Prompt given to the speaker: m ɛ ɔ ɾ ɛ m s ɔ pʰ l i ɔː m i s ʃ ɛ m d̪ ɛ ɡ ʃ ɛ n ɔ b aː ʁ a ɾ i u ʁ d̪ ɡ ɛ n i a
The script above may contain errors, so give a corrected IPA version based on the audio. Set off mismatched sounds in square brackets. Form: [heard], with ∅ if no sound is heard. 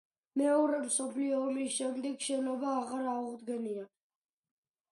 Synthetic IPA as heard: m ɛ ɔ ɾ ɛ m s ɔ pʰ l i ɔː m i s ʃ ɛ m d̪ ɛ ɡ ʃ ɛ n ɔ b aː ʁ a ɾ [a] u ʁ d̪ ɡ ɛ n i a

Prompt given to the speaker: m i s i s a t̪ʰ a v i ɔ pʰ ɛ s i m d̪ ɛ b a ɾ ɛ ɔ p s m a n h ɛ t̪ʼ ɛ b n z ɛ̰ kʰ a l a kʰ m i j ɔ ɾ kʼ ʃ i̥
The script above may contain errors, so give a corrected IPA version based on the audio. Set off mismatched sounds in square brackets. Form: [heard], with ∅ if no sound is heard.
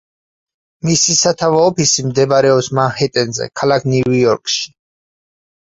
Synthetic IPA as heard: m i s i s a t̪ʰ a v [a] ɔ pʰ [i] s i m d̪ ɛ b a ɾ ɛ ɔ p s m a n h ɛ t̪ʼ ɛ [∅] n z ɛ̰ kʰ a l a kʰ [n] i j ɔ ɾ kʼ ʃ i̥

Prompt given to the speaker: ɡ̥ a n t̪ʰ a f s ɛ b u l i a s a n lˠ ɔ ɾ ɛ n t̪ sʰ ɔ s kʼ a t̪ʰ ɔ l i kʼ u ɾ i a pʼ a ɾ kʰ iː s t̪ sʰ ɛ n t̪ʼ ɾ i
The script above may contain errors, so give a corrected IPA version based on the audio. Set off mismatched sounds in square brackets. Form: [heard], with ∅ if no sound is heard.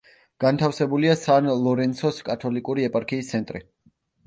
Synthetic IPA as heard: ɡ̥ a n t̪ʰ a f s ɛ b u l i a s a n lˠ ɔ ɾ ɛ n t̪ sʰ ɔ s kʼ a t̪ʰ ɔ l i kʼ u ɾ i [ɛ] pʼ a ɾ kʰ iː s t̪ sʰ ɛ n t̪ʼ ɾ i

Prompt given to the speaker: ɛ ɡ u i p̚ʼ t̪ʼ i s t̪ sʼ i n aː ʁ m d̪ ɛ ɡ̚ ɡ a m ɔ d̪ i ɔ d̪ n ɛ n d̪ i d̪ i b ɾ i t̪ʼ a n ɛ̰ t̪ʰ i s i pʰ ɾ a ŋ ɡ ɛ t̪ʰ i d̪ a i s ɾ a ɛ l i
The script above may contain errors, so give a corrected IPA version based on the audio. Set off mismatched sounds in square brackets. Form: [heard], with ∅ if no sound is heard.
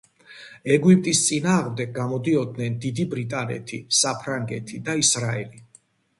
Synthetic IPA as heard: ɛ ɡ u i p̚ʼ t̪ʼ i s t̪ sʼ i n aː ʁ m d̪ ɛ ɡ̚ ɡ a m ɔ d̪ i ɔ d̪ n ɛ n d̪ i d̪ i b ɾ i t̪ʼ a n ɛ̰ t̪ʰ i s [a] pʰ ɾ a ŋ ɡ ɛ t̪ʰ i d̪ a i s ɾ a ɛ l i

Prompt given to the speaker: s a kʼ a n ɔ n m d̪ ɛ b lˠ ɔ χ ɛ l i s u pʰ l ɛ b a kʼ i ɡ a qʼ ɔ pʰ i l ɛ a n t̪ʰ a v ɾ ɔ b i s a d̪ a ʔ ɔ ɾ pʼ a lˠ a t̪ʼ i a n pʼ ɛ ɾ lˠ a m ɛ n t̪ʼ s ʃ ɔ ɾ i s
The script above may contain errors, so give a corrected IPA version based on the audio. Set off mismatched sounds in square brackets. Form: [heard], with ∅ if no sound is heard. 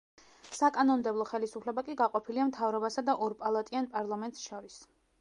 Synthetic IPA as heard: s a kʼ a n ɔ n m d̪ ɛ b lˠ ɔ χ ɛ l i s u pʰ l ɛ b a kʼ i ɡ a qʼ ɔ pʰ i l [i] a [m] t̪ʰ a v ɾ ɔ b [a] s a d̪ a ʔ ɔ ɾ pʼ a lˠ a t̪ʼ i a n pʼ [a] ɾ lˠ a m ɛ n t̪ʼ s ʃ ɔ ɾ i s

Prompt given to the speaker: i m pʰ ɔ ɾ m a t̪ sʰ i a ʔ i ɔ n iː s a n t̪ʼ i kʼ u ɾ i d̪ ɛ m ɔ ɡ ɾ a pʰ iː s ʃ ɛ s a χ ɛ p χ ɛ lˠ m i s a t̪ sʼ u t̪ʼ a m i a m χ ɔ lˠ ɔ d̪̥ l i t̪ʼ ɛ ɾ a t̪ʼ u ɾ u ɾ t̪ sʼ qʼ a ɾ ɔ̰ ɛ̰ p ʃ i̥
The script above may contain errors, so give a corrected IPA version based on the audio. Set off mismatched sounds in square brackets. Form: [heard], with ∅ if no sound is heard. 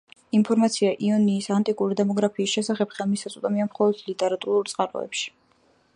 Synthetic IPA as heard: i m pʰ ɔ ɾ m a t̪ sʰ i a ʔ i ɔ n iː s a n t̪ʼ i kʼ u ɾ i d̪ ɛ m ɔ ɡ ɾ a pʰ iː s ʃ ɛ s a χ ɛ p χ ɛ lˠ m i s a t̪ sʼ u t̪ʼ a m i a m χ ɔ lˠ ɔ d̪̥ l i t̪ʼ ɛ ɾ a t̪ʼ u ɾ u ɾ t̪ sʼ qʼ a ɾ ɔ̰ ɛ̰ p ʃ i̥

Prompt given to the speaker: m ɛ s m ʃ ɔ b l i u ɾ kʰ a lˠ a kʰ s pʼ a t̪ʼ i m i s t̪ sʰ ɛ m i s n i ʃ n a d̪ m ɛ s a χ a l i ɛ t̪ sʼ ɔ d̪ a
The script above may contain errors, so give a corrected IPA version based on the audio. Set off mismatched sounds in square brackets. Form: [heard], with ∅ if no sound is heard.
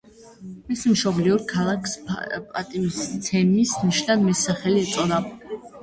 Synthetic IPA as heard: m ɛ s m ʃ ɔ b l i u ɾ kʰ a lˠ a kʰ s pʼ a t̪ʼ i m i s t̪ sʰ ɛ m i s n i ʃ n a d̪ m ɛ s a χ [ɛ] l i ɛ t̪ sʼ ɔ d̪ a

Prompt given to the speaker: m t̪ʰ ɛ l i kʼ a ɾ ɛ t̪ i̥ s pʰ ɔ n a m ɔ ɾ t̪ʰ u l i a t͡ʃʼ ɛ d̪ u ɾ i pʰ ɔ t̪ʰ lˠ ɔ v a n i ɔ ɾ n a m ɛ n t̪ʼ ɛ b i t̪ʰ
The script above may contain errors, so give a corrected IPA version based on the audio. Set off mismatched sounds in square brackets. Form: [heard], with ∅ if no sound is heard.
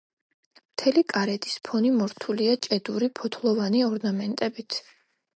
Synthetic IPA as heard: m t̪ʰ ɛ l i kʼ a ɾ ɛ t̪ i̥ s pʰ ɔ n [i] m ɔ ɾ t̪ʰ u l i a t͡ʃʼ ɛ d̪ u ɾ i pʰ ɔ t̪ʰ lˠ ɔ v a n i ɔ ɾ n a m ɛ n t̪ʼ ɛ b i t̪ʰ

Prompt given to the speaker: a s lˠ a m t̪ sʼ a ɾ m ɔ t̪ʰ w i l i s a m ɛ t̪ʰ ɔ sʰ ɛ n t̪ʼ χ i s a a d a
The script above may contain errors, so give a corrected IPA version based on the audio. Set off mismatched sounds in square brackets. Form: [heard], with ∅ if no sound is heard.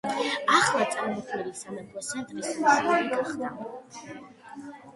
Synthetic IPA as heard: a [χ] lˠ a [∅] t̪ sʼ a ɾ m ɔ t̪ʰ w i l i s a m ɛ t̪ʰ ɔ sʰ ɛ n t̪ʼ χ i s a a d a

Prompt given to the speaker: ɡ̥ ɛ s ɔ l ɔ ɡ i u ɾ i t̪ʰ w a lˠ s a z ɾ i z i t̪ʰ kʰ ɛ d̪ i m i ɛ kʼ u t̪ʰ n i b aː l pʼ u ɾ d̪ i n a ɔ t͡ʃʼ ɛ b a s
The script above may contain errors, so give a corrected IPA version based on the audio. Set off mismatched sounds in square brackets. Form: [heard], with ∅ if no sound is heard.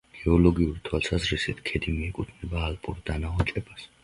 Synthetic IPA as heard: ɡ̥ ɛ [∅] ɔ l ɔ ɡ i u ɾ i t̪ʰ w a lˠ s a z ɾ i [s] i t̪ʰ kʰ ɛ d̪ i m i ɛ kʼ u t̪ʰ n [ɛ] b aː l pʼ u ɾ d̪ [a] n a ɔ t͡ʃʼ ɛ b a s

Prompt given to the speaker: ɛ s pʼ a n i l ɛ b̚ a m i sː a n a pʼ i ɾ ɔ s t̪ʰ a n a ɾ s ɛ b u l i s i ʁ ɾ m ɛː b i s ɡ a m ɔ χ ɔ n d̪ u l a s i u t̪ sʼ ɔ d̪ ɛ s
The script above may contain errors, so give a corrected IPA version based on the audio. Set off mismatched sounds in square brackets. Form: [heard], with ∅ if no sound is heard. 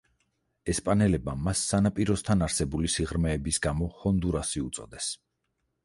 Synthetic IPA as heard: ɛ s pʼ a n [ɛ] l ɛ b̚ a m [a] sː a n a pʼ i ɾ ɔ s t̪ʰ a n a ɾ s ɛ b u l i s i ʁ ɾ m ɛː b i s ɡ a m ɔ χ ɔ n d̪ u [ɾ] a s i u t̪ sʼ ɔ d̪ ɛ s

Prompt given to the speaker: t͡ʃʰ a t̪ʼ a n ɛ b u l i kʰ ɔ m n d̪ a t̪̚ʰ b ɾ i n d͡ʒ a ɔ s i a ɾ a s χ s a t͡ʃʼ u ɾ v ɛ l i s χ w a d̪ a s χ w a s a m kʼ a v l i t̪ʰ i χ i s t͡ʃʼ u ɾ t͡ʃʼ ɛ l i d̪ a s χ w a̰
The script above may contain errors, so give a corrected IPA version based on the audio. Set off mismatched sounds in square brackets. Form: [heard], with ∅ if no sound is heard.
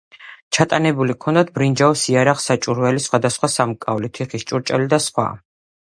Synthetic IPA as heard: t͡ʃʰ a t̪ʼ a n ɛ b u l i kʰ ɔ [∅] n d̪ a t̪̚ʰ b ɾ i n d͡ʒ a ɔ s i a ɾ a [∅] χ s a t͡ʃʼ u ɾ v ɛ l i s χ w a d̪ a s χ w a s a m kʼ a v l i t̪ʰ i χ i s t͡ʃʼ u ɾ t͡ʃʼ ɛ l i d̪ a s χ w a̰

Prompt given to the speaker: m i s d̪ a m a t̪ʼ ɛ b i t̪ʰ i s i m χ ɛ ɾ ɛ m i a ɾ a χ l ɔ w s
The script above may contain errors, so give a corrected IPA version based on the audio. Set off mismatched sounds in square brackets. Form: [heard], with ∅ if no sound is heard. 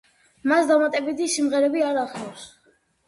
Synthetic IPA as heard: m [a] s d̪ a m a t̪ʼ ɛ b i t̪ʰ i s i m [ʁ] ɛ ɾ ɛ [b] i a ɾ a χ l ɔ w s

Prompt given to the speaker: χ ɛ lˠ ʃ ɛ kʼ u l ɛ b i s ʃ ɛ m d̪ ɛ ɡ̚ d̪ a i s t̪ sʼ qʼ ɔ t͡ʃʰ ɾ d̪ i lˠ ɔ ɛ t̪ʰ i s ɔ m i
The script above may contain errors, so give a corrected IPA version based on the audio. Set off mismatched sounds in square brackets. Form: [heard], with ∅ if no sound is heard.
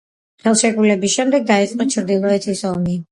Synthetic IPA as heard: χ ɛ lˠ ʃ ɛ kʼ u l ɛ b i s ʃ ɛ m d̪ ɛ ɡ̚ d̪ a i [∅] t̪ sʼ qʼ ɔ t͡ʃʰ ɾ d̪ i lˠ ɔ ɛ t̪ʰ i s ɔ m i

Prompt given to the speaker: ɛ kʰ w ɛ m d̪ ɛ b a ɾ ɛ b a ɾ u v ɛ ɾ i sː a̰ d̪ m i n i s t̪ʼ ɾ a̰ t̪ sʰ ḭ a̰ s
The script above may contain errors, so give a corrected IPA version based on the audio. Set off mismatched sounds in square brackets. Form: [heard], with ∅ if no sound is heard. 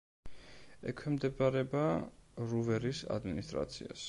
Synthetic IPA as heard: ɛ kʰ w ɛ m d̪ ɛ b a ɾ ɛ b a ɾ u v ɛ ɾ i [s] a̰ d̪ m i n i s t̪ʼ ɾ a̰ t̪ sʰ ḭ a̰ s

